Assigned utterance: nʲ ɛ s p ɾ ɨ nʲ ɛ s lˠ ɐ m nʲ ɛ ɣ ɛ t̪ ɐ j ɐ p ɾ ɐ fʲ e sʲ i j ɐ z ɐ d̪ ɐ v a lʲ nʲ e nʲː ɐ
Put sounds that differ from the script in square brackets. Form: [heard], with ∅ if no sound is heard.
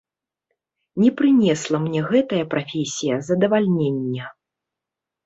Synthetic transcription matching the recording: nʲ ɛ [∅] p ɾ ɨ nʲ ɛ s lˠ ɐ m nʲ ɛ ɣ ɛ t̪ ɐ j ɐ p ɾ [a] fʲ e sʲ i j ɐ z ɐ d̪ ɐ v a lʲ nʲ e nʲː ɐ